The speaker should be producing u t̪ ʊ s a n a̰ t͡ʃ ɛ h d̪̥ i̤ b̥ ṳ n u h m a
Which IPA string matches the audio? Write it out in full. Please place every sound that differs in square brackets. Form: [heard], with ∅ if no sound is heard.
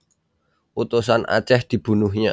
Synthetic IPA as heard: u t̪ [u] s a n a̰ t͡ʃ ɛ h d̪̥ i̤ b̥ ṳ n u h [ɲ] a